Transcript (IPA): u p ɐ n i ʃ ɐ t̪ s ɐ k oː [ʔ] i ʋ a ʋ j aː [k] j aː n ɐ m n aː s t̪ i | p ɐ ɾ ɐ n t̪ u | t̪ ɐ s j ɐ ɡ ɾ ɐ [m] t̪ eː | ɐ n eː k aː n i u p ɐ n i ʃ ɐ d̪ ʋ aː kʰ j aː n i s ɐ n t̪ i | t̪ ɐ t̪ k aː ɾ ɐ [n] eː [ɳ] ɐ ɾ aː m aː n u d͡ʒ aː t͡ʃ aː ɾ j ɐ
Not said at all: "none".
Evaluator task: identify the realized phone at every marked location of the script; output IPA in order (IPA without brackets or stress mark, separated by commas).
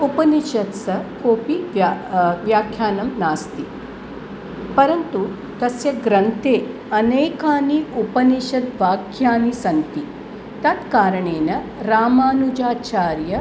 p, kʰ, n, ɳ, n